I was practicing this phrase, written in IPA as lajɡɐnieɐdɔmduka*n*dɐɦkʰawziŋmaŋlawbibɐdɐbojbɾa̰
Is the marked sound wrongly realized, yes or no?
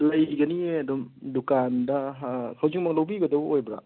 no